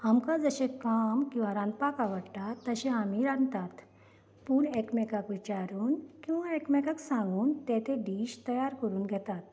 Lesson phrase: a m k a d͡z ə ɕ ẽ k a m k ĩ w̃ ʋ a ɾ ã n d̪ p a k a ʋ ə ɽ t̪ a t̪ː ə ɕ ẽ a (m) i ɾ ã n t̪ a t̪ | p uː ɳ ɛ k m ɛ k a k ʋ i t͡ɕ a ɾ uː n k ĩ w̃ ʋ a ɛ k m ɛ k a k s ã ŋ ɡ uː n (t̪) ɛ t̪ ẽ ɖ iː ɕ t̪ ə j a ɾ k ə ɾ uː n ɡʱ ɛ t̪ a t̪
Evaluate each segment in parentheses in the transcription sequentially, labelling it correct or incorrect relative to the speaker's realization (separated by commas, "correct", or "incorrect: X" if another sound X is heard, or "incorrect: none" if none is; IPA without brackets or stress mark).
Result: correct, correct